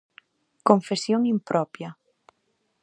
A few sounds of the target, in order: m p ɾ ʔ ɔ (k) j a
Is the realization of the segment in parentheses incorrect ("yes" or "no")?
yes